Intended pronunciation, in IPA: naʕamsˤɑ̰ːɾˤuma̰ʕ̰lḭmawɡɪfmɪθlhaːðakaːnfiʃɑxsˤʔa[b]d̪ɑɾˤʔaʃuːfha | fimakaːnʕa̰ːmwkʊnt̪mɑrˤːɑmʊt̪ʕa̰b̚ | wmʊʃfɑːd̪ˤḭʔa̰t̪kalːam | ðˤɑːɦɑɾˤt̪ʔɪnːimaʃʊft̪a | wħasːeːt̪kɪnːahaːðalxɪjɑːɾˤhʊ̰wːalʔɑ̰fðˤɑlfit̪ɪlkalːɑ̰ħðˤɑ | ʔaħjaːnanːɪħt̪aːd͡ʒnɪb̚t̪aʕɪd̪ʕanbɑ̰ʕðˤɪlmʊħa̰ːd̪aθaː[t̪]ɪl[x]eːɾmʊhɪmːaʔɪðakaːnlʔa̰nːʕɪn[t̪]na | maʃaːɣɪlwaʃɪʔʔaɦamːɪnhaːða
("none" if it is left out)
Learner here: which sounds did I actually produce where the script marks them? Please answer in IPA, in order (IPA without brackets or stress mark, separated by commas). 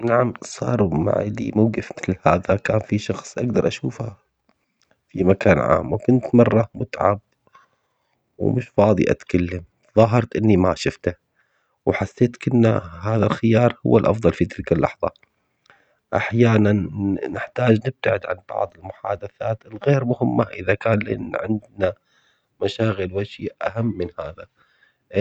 ɡ, t̪, ɣ, d̪